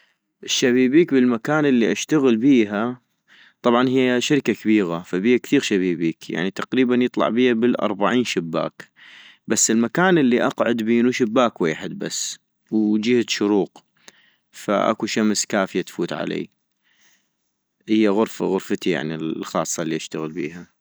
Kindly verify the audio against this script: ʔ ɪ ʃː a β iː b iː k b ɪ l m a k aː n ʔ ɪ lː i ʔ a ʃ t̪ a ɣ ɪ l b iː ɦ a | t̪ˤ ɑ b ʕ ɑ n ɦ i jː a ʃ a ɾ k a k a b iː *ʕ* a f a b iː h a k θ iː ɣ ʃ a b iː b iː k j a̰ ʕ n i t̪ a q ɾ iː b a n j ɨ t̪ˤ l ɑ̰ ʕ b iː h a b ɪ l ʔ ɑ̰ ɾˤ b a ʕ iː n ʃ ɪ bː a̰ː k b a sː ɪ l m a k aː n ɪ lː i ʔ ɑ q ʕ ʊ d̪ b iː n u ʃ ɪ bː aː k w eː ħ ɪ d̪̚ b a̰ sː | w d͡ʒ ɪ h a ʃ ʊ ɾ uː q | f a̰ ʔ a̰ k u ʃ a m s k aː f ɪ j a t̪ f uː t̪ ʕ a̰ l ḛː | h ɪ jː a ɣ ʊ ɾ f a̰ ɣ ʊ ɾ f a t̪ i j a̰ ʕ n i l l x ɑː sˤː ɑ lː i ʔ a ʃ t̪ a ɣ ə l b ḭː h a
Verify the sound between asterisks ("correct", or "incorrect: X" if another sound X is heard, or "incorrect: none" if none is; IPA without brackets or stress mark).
incorrect: ɣ